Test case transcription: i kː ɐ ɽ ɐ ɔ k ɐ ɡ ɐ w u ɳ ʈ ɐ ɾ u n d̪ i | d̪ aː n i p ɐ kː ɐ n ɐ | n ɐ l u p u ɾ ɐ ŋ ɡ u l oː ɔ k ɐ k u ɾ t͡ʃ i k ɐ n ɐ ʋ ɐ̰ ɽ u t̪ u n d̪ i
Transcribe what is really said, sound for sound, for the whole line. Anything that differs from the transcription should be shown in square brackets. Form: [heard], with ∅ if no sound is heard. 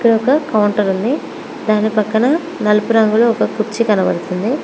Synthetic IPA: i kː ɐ ɽ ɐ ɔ k ɐ [k] ɐ w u ɳ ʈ ɐ ɾ u n d̪ i | d̪ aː n i p ɐ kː ɐ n ɐ | n ɐ l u p u ɾ ɐ ŋ ɡ u l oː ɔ k ɐ k u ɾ t͡ʃ i k ɐ n ɐ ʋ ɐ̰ ɽ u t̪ u n d̪ i

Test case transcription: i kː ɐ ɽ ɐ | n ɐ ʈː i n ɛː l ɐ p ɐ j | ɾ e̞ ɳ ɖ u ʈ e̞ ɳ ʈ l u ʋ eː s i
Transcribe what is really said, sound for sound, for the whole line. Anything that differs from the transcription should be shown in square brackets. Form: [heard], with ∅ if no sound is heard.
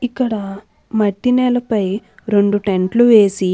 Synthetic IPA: i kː ɐ ɽ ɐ | [m] ɐ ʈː i n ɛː l ɐ p ɐ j | ɾ e̞ ɳ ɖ u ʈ e̞ ɳ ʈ l u ʋ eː s i

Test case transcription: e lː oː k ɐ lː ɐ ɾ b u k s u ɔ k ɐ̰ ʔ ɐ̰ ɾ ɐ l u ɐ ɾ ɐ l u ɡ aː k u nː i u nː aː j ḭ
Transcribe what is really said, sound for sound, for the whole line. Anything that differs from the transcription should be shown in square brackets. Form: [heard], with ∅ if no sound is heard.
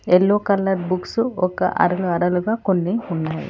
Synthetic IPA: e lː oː k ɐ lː ɐ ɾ b u k s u ɔ k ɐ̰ ʔ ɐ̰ ɾ ɐ l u ɐ ɾ ɐ l u ɡ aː k [o] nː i u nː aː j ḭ

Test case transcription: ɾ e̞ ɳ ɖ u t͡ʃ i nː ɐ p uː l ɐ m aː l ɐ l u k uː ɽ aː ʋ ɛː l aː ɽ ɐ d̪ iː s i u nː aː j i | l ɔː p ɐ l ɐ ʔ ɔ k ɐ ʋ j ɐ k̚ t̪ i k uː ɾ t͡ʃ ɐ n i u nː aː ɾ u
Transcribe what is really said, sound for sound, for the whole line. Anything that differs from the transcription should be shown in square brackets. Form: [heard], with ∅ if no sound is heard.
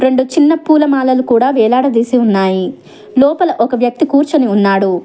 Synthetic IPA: ɾ e̞ ɳ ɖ u t͡ʃ i nː ɐ p uː l ɐ m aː l ɐ l u k uː ɽ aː ʋ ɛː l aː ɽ ɐ d̪ iː s i u nː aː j i | l ɔː p ɐ l ɐ ʔ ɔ k ɐ ʋ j ɐ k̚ t̪ i k uː ɾ t͡ʃ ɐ n i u nː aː [ɽ] u

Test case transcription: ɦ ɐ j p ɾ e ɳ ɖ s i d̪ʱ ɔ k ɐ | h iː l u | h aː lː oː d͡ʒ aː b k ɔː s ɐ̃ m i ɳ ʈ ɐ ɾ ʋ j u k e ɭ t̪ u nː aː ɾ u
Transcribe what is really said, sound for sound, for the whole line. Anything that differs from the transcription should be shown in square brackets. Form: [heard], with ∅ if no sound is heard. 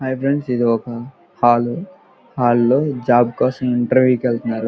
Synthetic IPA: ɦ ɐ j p ɾ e ɳ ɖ s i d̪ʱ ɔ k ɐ | h [aː] l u | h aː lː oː d͡ʒ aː b k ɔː s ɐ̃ m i ɳ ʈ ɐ ɾ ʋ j u k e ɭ t̪ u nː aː ɾ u

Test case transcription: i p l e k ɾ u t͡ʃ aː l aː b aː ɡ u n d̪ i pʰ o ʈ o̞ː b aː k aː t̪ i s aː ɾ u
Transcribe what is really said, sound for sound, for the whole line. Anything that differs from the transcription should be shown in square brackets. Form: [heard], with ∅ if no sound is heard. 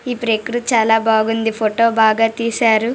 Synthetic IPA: i p [ɾ] e k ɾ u t͡ʃ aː l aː b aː ɡ u n d̪ i pʰ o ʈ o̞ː b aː [ɡ] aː t̪ [iː] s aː ɾ u

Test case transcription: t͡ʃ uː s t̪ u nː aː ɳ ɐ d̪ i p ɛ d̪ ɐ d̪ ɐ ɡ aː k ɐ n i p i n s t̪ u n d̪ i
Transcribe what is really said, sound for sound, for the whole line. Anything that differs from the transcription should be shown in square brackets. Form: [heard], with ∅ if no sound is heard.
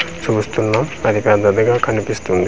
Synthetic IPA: t͡ʃ uː s t̪ u nː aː [m] ɐ d̪ i p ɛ d̪ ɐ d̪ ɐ ɡ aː k ɐ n i p i [∅] s t̪ u n d̪ i

